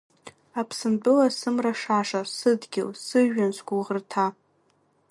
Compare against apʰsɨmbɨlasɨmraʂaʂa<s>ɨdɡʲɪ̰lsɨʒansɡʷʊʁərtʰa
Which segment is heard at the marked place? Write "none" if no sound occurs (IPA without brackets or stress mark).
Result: s